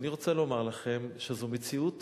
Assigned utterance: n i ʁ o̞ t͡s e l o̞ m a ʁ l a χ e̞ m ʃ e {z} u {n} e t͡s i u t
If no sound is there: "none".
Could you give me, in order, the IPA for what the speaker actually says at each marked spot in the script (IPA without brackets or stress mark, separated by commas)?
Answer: z, m